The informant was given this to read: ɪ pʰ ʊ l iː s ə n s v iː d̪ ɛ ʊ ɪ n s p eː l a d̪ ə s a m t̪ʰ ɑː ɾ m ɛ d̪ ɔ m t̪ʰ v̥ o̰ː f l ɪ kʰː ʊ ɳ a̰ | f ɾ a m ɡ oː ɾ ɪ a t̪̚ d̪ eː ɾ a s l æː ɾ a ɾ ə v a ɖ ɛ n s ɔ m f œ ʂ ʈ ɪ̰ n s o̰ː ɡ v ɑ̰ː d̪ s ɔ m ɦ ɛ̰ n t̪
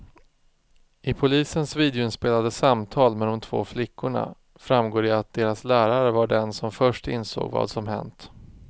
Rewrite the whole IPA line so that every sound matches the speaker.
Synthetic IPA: ɪ pʰ ʊ l iː s ə n s v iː d̪ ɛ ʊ ɪ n s p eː l a d̪ ə s a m t̪ʰ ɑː l m ɛ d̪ ɔ m t̪ʰ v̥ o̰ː f l ɪ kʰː ʊ ɳ a̰ | f ɾ a m ɡ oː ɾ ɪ a t̪̚ d̪ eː ɾ a s l æː ɾ a ɾ ə v a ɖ ɛ n s ɔ m f œ ʂ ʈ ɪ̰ n s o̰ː ɡ v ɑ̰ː d̪ s ɔ m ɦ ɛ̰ n t̪